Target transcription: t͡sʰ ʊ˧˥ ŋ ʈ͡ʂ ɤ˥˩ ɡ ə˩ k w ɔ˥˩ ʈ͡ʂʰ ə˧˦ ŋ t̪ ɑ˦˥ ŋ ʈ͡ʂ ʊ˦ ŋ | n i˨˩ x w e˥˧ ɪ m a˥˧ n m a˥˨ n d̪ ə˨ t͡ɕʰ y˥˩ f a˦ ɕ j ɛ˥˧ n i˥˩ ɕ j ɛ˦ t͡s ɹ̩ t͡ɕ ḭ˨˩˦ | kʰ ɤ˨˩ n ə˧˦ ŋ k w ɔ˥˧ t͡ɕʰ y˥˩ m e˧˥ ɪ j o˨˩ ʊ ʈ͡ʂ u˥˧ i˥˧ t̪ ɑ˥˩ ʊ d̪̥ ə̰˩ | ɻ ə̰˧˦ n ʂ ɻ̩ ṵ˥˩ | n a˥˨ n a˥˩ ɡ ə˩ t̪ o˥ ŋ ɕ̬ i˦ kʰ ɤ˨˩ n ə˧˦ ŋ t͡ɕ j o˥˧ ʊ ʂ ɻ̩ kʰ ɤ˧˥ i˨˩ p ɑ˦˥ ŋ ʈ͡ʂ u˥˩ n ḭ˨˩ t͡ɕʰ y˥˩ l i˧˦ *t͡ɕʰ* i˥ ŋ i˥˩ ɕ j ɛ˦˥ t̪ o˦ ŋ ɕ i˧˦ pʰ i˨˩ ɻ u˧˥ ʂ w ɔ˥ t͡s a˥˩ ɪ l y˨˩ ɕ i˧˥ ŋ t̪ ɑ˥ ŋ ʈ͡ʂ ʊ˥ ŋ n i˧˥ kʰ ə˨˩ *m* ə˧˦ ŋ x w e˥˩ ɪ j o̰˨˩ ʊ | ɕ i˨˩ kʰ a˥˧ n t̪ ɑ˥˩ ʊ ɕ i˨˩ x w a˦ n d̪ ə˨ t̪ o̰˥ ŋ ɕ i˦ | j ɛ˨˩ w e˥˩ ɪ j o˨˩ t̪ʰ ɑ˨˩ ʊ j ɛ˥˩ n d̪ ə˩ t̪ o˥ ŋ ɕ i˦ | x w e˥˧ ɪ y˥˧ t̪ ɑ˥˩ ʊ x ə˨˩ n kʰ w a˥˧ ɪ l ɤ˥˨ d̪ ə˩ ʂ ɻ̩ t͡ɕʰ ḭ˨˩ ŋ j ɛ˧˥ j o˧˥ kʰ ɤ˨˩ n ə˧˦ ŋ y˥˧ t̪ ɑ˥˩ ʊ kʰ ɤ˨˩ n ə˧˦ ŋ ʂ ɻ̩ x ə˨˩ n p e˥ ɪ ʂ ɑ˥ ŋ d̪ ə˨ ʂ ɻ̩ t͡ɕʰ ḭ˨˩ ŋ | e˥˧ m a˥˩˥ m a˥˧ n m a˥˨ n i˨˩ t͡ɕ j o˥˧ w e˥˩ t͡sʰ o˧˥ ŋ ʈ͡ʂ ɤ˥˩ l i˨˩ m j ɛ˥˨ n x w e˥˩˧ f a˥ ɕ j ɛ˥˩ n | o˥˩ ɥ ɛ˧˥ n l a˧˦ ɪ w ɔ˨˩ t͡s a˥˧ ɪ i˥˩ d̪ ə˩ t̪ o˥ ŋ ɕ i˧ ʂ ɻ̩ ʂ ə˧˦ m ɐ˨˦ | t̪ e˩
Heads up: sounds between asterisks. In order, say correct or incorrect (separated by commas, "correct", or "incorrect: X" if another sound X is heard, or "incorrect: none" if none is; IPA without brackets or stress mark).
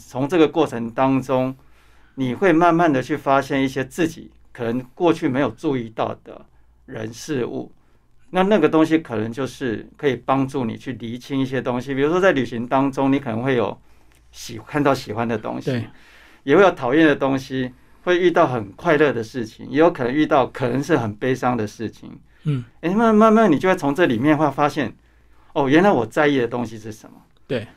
correct, incorrect: n